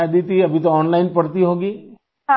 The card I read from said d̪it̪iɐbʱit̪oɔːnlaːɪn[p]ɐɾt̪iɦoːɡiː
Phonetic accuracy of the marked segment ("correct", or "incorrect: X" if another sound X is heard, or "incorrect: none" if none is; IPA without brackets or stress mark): correct